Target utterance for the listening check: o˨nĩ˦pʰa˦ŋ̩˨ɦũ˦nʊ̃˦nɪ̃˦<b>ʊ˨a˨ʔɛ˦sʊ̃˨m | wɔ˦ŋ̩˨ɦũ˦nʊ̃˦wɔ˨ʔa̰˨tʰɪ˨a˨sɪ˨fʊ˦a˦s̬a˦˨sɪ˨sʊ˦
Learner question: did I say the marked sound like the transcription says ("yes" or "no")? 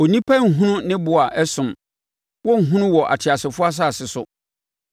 yes